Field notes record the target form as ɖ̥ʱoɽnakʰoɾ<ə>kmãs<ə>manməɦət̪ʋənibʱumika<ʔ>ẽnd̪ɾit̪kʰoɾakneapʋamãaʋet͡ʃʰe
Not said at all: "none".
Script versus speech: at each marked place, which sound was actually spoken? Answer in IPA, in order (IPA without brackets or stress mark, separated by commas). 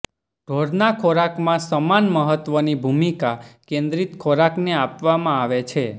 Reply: a, ə, k